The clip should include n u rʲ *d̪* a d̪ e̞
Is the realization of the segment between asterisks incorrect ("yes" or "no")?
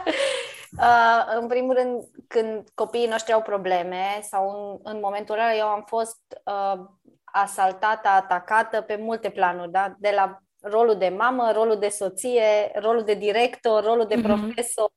no